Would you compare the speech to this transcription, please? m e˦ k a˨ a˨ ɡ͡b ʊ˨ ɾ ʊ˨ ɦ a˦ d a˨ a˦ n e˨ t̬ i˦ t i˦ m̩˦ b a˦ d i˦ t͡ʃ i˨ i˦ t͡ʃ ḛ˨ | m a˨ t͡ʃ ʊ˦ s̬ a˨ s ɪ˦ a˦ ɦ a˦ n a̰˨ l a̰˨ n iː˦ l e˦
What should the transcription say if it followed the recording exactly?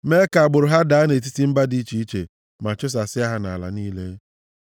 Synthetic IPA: m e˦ k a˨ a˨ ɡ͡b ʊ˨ ɾ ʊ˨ ɦ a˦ d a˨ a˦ n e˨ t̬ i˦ t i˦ m̩˦ b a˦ d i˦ t͡ʃ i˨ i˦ t͡ʃ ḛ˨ | m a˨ t͡ʃ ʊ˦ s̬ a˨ s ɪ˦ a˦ ɦ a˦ n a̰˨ l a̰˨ n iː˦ l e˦